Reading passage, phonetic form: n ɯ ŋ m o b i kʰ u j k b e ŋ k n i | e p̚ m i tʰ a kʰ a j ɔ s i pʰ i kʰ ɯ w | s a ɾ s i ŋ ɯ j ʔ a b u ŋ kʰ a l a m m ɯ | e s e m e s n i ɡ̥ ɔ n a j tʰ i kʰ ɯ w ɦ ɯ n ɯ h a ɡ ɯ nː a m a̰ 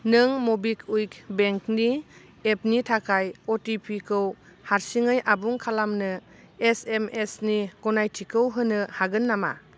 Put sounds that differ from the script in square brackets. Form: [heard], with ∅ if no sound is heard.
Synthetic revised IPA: n ɯ ŋ m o b i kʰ u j k b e ŋ k n i | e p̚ [n] i tʰ a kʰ a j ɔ [t] i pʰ i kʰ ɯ w | [h] a ɾ s i ŋ ɯ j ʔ a b u ŋ kʰ a l a m [n] ɯ | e s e m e s n i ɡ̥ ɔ n a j tʰ i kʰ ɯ w ɦ ɯ n ɯ h a ɡ ɯ nː a m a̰